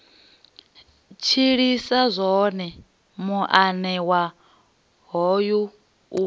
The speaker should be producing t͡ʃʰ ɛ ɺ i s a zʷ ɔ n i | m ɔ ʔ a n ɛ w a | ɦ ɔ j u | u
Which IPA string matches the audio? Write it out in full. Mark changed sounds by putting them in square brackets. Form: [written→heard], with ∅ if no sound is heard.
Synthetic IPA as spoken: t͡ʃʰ [ɛ→i] ɺ i s a zʷ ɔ n [i→ɛ] | m [ɔ→u] ʔ a n ɛ w a | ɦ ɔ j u | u